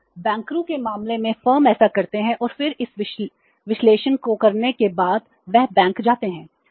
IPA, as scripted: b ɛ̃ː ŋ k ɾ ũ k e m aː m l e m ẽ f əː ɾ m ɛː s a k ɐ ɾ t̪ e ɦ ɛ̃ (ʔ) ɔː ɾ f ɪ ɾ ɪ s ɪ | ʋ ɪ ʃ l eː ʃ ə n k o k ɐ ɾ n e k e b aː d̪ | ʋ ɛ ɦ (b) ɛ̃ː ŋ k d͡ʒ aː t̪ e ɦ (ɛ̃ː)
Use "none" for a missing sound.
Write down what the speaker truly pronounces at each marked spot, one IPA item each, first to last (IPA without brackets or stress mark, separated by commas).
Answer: ʔ, b, ɛ̃ː